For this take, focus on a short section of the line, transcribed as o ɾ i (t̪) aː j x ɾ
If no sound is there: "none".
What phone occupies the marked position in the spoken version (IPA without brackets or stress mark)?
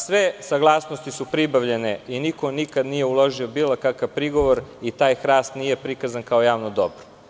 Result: t̪